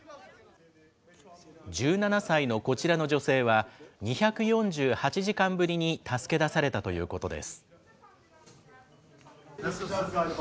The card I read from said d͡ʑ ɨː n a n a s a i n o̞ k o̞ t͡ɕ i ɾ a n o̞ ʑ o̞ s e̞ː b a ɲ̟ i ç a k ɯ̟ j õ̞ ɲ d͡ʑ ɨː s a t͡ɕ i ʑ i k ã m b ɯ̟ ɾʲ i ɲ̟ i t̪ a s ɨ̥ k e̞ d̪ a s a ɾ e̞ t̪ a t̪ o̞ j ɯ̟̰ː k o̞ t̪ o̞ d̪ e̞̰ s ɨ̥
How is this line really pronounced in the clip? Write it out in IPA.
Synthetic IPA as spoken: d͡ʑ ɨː n a n a s a i n o̞ k o̞ t͡ɕ i ɾ a n o̞ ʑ o̞ s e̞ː β a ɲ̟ i ç a k ɯ̟ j õ̞ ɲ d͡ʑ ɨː h a t͡ɕ i ʑ i k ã m b ɯ̟ ɾʲ i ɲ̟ i t̪ a s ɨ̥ k e̞ d̪ a s a ɾ e̞ t̪ a t̪ o̞ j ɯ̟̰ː k o̞ t̪ o̞ d̪ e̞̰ s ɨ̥